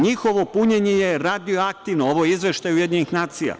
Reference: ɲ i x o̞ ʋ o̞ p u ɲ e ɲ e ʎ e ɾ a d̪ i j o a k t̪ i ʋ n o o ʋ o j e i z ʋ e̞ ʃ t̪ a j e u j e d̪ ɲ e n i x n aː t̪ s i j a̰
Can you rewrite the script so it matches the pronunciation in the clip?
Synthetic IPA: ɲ i x o̞ ʋ o̞ p u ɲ e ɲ e j e ɾ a d̪ i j o a k t̪ i ʋ n o o ʋ o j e i z ʋ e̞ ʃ t̪ a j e u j e d̪ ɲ e n i x n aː t̪ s i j a̰